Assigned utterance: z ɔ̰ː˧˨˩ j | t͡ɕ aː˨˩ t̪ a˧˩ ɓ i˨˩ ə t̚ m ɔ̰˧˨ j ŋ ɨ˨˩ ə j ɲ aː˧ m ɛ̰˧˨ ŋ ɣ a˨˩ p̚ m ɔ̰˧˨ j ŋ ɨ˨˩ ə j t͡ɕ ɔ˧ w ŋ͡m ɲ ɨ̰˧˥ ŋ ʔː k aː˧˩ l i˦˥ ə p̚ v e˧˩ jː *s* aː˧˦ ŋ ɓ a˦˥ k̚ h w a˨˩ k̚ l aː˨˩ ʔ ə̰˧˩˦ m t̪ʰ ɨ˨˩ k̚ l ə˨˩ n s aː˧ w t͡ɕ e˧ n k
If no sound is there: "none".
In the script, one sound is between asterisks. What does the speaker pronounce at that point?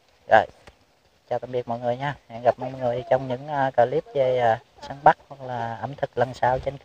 s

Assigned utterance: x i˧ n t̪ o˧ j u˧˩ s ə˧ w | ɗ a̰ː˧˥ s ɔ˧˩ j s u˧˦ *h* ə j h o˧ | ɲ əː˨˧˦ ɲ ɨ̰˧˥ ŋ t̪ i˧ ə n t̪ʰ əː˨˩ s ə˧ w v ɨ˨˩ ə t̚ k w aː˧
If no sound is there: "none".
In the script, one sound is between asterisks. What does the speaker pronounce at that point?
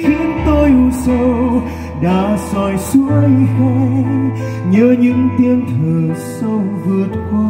none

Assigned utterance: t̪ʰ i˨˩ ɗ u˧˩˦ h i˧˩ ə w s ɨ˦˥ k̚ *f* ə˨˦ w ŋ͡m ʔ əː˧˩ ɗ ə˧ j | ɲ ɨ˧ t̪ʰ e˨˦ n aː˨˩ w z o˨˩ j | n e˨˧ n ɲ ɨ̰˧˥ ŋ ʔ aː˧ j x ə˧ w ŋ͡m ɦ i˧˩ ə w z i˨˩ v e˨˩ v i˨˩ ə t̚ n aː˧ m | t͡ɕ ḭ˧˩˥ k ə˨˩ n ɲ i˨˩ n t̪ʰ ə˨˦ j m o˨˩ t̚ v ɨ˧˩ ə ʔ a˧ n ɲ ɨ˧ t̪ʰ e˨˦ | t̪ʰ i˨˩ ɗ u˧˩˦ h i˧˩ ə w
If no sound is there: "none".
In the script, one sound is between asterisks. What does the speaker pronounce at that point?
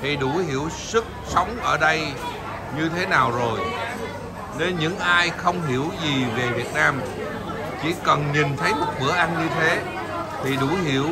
s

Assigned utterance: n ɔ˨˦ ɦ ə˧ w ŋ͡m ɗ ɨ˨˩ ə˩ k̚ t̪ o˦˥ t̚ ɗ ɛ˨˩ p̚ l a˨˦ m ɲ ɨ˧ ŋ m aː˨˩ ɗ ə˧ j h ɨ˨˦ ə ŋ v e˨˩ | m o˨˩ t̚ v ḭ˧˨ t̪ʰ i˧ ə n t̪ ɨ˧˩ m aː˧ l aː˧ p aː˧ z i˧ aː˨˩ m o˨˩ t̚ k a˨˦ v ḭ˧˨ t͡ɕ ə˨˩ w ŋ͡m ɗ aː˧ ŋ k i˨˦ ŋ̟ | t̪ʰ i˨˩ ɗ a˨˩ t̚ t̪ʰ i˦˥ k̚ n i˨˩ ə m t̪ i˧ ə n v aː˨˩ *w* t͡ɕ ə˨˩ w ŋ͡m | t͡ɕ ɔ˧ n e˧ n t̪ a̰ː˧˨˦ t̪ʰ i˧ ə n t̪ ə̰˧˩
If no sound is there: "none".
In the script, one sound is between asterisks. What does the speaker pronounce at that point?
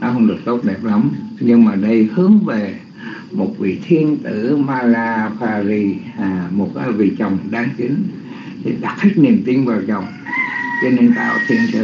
w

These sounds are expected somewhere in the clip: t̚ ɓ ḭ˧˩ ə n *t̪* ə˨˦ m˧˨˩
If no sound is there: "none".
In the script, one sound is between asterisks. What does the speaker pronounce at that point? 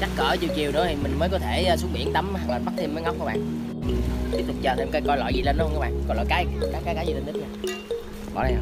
t̪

